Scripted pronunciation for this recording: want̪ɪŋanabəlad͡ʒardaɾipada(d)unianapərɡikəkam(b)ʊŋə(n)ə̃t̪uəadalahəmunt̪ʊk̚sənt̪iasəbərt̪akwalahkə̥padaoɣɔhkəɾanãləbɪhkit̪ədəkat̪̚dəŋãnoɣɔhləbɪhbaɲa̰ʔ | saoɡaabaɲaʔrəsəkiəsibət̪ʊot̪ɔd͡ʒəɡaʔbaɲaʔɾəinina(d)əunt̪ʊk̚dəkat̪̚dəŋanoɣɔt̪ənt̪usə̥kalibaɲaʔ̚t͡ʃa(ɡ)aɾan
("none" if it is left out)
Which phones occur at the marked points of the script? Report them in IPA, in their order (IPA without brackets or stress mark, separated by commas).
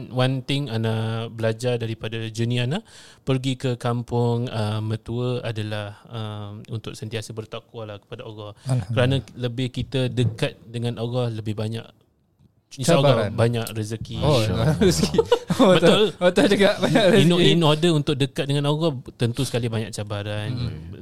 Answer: d͡ʒ, p, m, d, b